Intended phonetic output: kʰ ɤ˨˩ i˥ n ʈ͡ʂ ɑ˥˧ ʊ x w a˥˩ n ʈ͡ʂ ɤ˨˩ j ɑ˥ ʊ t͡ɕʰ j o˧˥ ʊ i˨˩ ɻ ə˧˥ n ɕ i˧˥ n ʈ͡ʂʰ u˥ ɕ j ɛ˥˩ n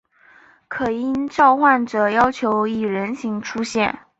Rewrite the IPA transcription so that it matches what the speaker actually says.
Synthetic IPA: kʰ ɤ˨˩ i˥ n ʈ͡ʂ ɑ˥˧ ʊ x w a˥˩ n ʈ͡ʂ ɤ˨˩ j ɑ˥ ʊ t͡ɕʰ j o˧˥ ʊ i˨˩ ɻ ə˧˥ n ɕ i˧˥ ŋ ʈ͡ʂʰ u˥ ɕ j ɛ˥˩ n